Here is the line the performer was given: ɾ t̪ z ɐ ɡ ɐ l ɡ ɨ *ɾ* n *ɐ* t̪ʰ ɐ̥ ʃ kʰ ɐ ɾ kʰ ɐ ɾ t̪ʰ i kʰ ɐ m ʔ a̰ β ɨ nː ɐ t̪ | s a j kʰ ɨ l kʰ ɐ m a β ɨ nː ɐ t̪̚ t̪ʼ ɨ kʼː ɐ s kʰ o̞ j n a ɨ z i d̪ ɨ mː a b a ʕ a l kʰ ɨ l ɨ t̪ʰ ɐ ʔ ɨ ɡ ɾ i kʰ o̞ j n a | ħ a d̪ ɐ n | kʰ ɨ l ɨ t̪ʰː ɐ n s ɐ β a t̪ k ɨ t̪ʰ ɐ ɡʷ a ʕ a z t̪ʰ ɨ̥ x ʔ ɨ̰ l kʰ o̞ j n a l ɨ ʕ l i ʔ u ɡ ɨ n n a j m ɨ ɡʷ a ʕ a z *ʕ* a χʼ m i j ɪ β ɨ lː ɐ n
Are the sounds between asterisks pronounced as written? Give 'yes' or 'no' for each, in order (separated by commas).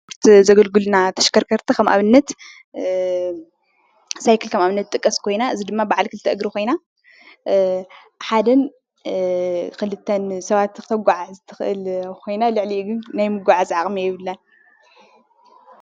no, no, yes